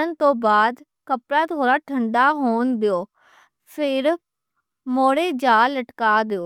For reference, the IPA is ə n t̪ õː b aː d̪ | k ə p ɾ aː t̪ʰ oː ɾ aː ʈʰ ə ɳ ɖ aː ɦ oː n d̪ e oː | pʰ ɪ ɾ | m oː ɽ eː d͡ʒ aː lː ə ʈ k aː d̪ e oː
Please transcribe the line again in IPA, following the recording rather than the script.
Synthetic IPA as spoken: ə n t̪ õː b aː d̪ | k ə p ɾ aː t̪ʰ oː ɾ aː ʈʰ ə ɳ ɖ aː ɦ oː n d̪ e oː | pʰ ɪ ɾ | m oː ɽ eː d͡ʒ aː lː ə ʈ k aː d̪ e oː

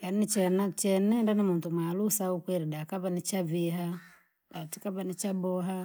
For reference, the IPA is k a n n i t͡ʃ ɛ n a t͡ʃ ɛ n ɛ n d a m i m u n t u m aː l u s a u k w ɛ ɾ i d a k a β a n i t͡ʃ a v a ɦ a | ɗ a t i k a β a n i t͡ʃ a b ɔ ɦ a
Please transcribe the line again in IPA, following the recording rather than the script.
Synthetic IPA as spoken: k a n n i t͡ʃ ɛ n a t͡ʃ ɛ n ɛ n d a n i m u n t u m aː l u s a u k w ɛ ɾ i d a k a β a n i t͡ʃ a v i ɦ a | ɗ a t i k a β a n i t͡ʃ a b ɔ ɦ a

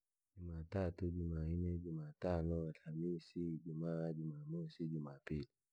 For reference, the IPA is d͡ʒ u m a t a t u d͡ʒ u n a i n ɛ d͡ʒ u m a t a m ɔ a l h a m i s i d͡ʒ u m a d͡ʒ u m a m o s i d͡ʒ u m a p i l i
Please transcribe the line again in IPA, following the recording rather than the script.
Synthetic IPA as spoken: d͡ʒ u m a t a t u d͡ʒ u m a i n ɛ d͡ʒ u m a t a n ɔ a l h a m i s i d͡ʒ u m a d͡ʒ u m a m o s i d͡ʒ u m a p i l i

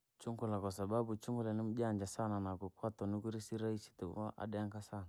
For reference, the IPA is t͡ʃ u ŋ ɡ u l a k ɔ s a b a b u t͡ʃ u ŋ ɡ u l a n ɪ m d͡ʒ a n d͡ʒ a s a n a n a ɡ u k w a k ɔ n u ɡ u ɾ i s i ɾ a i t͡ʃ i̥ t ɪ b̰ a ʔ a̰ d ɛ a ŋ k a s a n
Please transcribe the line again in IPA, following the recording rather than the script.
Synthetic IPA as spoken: t͡ʃ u ŋ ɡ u l a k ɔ s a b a b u t͡ʃ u ŋ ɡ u l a n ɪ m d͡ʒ a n d͡ʒ a s a n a n a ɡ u k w a t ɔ n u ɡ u ɾ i s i ɾ a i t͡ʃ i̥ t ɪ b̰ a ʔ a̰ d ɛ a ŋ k a s a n

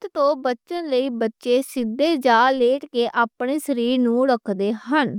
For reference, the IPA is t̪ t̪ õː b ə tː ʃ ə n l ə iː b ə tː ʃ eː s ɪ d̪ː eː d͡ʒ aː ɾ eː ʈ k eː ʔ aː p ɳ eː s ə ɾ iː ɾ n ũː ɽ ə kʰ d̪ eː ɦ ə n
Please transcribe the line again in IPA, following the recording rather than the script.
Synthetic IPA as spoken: t̪ t̪ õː b ə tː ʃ ə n l ə iː b ə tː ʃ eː s ɪ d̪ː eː d͡ʒ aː l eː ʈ k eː ʔ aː p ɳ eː s ə ɾ iː ɾ n ũː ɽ ə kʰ d̪ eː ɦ ə n

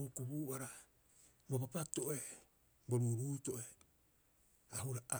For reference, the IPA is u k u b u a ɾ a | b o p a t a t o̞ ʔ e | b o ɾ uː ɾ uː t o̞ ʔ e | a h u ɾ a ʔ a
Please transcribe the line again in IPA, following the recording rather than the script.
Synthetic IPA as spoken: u k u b u a ɾ a | b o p a p a t o̞ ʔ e | b o ɾ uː ɾ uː t o̞ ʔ e | a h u ɾ a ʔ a

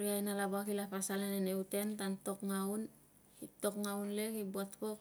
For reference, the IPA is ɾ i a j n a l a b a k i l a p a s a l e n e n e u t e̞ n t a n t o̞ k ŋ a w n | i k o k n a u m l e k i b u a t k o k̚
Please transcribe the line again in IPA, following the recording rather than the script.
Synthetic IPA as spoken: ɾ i a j n a l a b a k i l a p a s a l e n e n e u t e̞ n t a n t o̞ k ŋ a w n | i t o k ŋ a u n l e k i b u a t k o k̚

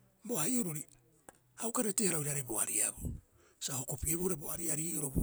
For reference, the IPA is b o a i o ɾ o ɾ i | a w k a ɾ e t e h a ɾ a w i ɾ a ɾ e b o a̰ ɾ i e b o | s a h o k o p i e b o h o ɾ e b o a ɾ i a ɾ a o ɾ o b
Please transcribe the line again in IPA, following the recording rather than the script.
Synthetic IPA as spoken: b o a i o ɾ o ɾ i | a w k a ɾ e t e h a ɾ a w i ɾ a ɾ e b o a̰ ɾ i a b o | s a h o k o p i e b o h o ɾ e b o a ɾ i a ɾ i o ɾ o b

